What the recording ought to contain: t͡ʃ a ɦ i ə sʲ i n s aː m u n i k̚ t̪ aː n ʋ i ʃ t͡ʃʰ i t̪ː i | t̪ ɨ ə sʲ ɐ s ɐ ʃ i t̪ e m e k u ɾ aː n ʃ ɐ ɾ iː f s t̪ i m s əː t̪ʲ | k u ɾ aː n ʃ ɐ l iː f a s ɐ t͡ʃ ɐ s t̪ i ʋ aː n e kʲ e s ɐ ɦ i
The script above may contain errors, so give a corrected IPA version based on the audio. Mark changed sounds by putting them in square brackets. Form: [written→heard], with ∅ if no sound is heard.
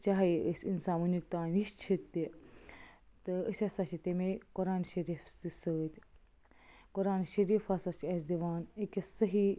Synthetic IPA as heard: t͡ʃ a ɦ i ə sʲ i n s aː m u n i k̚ t̪ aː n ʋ i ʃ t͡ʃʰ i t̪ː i | t̪ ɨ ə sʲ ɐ s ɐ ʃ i t̪ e m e k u ɾ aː n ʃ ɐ ɾ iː f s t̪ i [m→∅] s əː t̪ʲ | k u ɾ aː n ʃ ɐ [l→ɾ] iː f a s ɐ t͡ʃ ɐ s [t̪→d̪] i ʋ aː n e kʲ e s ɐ ɦ i